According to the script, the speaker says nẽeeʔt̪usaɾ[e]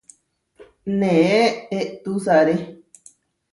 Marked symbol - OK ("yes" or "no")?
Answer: yes